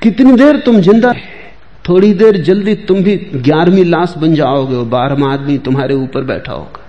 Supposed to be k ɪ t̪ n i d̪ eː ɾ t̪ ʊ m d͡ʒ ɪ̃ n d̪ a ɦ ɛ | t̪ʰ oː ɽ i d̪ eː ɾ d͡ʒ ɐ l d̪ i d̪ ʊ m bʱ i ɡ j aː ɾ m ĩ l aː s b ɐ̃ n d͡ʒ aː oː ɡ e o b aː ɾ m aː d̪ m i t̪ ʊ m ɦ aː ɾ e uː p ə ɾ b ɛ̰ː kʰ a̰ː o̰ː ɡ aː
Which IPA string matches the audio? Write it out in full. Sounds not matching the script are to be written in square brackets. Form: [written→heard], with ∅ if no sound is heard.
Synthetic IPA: k ɪ t̪ n i d̪ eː ɾ t̪ ʊ m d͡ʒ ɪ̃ n d̪ a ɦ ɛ | t̪ʰ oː ɽ i d̪ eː ɾ d͡ʒ ɐ l d̪ i [d̪→t̪] ʊ m bʱ i ɡ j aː ɾ m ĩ l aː s b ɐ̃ n d͡ʒ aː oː ɡ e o b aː ɾ m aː d̪ m i t̪ ʊ m ɦ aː ɾ e uː p ə ɾ b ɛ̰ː [kʰ→ʈʰ] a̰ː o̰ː ɡ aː